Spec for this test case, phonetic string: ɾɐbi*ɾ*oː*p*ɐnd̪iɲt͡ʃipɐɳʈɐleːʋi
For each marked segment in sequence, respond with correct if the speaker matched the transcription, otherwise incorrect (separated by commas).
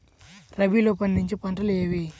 incorrect, correct